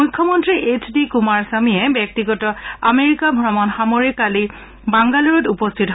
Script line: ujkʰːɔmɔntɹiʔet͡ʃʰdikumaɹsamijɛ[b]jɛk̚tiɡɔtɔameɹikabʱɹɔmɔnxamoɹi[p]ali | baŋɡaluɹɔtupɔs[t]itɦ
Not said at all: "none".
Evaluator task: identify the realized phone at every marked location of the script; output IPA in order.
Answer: b, k, tʰ

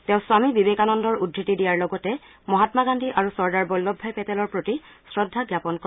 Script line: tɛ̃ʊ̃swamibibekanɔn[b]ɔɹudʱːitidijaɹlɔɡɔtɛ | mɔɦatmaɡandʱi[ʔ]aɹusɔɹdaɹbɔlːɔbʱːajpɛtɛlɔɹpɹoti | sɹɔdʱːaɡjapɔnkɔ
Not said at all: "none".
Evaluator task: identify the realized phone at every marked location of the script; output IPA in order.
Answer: d, ʔ

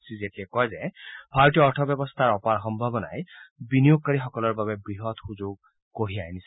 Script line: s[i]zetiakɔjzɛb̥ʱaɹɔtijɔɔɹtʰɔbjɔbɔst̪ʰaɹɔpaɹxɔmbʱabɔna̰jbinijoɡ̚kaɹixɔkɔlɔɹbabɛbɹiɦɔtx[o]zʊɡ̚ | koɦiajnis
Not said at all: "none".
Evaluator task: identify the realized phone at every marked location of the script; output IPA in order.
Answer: i, u

